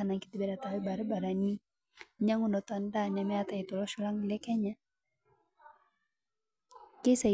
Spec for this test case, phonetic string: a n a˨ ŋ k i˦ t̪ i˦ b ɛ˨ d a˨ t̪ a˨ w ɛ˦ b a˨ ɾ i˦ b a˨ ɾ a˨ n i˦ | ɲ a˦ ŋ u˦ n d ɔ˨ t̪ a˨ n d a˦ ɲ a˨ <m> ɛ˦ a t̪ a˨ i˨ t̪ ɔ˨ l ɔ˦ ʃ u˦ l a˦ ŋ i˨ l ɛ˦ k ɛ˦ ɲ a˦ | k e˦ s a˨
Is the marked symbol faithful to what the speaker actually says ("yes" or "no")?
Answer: yes